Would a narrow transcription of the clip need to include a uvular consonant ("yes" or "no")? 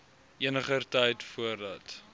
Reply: yes